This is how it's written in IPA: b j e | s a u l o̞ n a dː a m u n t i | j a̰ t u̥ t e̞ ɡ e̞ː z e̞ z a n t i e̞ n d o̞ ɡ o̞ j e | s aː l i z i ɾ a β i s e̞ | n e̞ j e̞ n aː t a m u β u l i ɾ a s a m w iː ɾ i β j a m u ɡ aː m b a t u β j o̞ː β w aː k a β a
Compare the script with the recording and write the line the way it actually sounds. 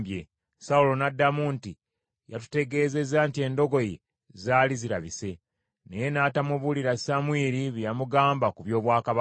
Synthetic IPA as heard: b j e | s a u l o̞ n a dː a m u n t i | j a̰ t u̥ t e̞ ɡ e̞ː z e̞ z a n t i e̞ n d o̞ ɡ o̞ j e | z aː l i z i ɾ a β i s e̞ | n e̞ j e̞ n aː t a m u β u l i ɾ a s a m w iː ɾ i β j a m u ɡ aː m b a k u β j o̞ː β w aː k a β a